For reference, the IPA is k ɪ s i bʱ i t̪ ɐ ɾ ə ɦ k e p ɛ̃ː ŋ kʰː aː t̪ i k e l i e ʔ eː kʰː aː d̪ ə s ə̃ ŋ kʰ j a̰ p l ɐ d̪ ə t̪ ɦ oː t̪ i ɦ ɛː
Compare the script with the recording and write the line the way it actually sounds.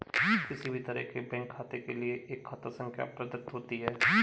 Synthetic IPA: k ɪ s i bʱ i t̪ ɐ ɾ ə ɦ k e b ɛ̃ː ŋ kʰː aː t̪ e k e l i e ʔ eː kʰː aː t̪ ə s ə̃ ŋ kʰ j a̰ p ɾ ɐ d̪ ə t̪ ɦ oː t̪ i ɦ ɛː